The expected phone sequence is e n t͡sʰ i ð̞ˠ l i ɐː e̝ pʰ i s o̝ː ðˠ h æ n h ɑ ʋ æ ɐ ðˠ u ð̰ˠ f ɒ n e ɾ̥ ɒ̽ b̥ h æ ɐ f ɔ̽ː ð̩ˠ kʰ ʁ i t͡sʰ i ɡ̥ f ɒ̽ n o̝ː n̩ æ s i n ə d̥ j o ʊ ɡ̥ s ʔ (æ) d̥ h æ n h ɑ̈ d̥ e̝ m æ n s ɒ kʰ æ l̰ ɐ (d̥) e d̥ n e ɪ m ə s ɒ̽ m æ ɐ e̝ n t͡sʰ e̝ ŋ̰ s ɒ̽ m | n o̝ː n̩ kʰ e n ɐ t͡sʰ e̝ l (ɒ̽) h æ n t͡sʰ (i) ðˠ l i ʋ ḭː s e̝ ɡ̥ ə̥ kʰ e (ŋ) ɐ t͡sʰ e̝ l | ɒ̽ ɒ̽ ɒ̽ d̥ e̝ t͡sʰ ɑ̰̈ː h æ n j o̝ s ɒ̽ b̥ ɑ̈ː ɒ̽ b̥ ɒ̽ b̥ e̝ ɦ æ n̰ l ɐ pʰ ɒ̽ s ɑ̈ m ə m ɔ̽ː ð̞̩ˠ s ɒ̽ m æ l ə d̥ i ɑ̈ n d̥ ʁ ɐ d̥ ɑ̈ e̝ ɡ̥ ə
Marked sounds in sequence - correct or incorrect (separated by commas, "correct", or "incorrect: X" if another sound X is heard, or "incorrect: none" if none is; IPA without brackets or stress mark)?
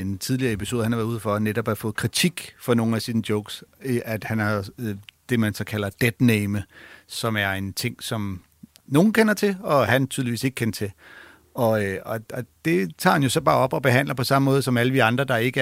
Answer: correct, correct, correct, incorrect: y, incorrect: n